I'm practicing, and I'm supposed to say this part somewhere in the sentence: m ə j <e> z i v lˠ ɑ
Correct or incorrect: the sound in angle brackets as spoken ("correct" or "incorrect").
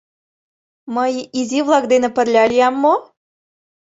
incorrect